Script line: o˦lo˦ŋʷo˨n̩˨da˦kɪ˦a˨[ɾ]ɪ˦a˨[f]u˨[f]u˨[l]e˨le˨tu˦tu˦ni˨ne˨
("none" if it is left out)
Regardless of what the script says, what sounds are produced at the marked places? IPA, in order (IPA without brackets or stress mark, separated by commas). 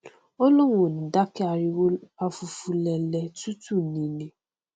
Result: ɾ, f, f, l